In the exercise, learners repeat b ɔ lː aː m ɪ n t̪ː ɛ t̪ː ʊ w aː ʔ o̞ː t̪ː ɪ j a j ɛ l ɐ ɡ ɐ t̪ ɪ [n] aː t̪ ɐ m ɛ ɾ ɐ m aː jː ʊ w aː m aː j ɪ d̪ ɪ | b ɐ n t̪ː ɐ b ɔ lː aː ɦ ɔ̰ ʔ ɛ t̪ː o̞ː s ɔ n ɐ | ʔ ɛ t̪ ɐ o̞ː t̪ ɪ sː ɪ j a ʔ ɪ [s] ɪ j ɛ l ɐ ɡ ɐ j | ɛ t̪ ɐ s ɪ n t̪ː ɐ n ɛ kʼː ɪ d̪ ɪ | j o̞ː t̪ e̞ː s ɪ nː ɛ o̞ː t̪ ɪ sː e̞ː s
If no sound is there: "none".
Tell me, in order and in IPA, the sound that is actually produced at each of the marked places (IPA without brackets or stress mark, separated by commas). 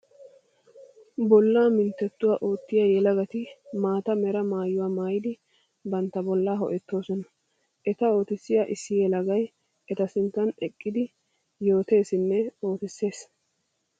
m, sː